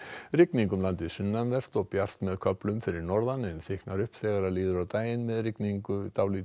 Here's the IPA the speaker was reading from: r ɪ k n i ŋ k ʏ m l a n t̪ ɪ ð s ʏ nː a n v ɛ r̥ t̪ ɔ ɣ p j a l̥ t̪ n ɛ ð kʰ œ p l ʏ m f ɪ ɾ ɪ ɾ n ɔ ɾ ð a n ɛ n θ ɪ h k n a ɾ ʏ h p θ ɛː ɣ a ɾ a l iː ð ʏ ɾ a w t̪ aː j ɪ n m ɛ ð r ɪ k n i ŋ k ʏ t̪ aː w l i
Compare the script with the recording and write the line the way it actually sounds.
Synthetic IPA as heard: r ɪ k n i ŋ k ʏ m l a n t̪ ɪ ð s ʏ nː a n v ɛ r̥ t̪ ɔ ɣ p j a r̥ t̪ m ɛ ð kʰ œ p l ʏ m f ɪ ɾ ɪ ɾ n ɔ ɾ ð a n ɛ n θ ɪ h k n a ɾ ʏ h p θ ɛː ɣ a ɾ a l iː ð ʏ ɾ a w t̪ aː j ɪ n m ɛ ð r ɪ k n i ŋ k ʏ t̪ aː w l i